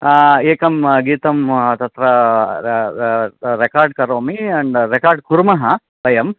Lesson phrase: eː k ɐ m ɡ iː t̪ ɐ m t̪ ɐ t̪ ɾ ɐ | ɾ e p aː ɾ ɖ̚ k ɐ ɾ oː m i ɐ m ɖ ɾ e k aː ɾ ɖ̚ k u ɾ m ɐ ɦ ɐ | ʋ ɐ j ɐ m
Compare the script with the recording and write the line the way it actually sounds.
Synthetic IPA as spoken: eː k ɐ m ɡ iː t̪ ɐ m t̪ ɐ t̪ ɾ ɐ | ɾ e k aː ɾ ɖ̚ k ɐ ɾ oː m i ɐ ɳ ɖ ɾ e k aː ɾ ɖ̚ k u ɾ m ɐ ɦ ɐ | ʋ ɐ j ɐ m